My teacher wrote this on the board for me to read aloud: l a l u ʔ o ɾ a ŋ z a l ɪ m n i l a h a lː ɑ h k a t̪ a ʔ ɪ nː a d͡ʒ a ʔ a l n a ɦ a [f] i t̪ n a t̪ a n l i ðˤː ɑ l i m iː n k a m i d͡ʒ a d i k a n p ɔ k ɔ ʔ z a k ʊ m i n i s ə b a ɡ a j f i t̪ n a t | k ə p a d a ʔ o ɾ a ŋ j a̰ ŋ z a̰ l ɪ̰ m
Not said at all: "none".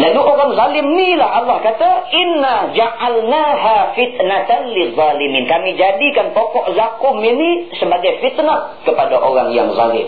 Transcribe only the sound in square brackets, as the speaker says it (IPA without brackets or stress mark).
f